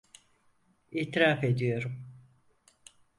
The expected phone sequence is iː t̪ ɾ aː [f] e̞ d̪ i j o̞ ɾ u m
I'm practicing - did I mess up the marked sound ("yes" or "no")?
no